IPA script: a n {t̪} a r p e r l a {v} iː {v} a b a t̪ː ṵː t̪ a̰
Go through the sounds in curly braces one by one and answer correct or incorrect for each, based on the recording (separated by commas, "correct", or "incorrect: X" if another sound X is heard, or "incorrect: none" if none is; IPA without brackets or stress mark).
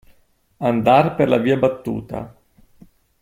incorrect: d̪, correct, incorrect: none